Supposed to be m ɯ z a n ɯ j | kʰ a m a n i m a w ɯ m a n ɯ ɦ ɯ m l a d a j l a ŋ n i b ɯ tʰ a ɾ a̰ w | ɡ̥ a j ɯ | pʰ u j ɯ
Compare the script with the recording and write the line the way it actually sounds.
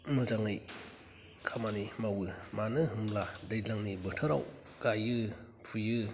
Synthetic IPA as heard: m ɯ z a ŋ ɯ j | kʰ a m a n i m a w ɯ m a n ɯ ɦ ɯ m l a d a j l a ŋ n i b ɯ tʰ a ɾ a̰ w | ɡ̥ a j ɯ | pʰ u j ɯ